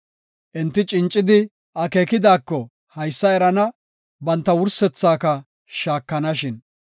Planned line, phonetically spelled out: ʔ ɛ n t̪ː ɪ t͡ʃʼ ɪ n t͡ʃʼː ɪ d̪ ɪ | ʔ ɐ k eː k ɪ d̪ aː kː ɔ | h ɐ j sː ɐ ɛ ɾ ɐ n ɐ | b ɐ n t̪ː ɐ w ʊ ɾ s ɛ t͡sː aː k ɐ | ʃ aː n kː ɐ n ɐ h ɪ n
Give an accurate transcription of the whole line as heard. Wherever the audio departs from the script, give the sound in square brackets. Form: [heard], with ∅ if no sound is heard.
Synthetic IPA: ʔ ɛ n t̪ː ɪ t͡ʃʼ ɪ n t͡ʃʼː ɪ d̪ ɪ | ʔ ɐ k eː k ɪ d̪ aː kː ɔ | h ɐ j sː ɐ ɛ ɾ ɐ n ɐ | b ɐ n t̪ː ɐ w ʊ ɾ s ɛ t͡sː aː k ɐ | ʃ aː [∅] kː ɐ n ɐ [ʃ] ɪ n